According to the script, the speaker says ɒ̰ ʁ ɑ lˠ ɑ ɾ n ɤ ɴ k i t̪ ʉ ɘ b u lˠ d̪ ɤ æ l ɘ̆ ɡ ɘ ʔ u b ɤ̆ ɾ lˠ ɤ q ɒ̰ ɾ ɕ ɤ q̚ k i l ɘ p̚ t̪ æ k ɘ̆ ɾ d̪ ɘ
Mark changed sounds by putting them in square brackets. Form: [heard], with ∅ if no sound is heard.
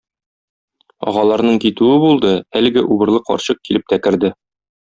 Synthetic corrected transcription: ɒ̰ ʁ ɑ lˠ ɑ ɾ n ɤ ɴ k i t̪ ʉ ɘ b u lˠ d̪ ɤ æ l ɘ̆ ɡ ɘ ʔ u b ɤ̆ ɾ lˠ ɤ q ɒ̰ ɾ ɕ ɤ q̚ k i l ɘ p̚ t̪ æ k ɘ̆ ɾ d̪ ɘ